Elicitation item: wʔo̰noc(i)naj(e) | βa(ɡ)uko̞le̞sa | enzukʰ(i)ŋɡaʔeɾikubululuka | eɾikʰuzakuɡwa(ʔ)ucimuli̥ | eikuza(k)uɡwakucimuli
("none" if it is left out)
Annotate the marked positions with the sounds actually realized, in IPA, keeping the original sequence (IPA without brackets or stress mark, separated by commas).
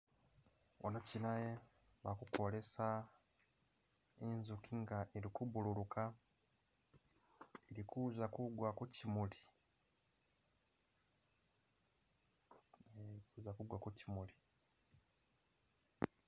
i, e, k, i, k, k